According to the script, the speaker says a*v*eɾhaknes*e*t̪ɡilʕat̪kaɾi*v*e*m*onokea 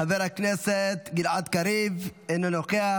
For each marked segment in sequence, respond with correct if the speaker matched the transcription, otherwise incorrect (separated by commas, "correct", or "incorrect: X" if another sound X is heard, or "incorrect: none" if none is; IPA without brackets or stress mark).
correct, correct, correct, incorrect: n